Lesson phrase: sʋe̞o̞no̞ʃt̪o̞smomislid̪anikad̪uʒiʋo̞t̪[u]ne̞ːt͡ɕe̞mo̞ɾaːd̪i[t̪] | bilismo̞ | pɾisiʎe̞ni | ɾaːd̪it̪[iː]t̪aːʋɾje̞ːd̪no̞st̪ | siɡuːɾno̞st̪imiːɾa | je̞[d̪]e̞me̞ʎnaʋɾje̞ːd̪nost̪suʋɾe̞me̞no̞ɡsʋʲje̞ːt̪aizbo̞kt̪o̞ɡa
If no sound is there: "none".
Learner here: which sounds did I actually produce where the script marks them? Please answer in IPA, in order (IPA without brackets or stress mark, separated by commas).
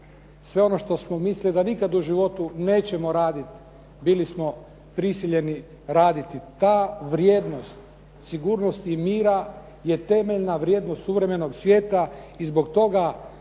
u, t̪, i, t̪